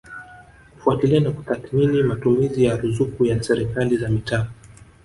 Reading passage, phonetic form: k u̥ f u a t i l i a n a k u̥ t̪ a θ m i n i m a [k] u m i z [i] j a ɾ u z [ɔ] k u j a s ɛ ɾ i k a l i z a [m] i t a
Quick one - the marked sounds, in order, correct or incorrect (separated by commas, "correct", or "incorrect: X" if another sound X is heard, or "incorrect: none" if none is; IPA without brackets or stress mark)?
incorrect: t, correct, incorrect: u, correct